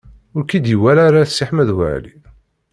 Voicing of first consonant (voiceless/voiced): voiced